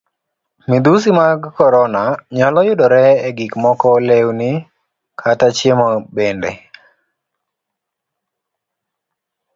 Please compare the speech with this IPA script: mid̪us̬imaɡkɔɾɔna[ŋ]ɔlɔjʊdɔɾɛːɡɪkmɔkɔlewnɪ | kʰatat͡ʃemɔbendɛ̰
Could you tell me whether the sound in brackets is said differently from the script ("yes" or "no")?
yes